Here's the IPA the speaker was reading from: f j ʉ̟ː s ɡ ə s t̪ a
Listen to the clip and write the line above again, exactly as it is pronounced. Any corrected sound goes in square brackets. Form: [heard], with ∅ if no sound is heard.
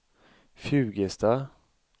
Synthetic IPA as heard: f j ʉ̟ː [∅] ɡ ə s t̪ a